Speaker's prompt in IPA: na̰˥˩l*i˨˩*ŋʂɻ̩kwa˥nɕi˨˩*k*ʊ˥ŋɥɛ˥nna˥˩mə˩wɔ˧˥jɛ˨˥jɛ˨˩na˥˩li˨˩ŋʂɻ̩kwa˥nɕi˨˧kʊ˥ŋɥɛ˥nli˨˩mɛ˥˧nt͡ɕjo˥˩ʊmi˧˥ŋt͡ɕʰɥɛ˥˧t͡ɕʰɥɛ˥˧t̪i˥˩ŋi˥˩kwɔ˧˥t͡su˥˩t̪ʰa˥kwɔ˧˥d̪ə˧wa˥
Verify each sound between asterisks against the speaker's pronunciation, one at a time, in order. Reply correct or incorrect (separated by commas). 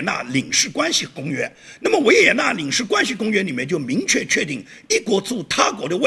correct, correct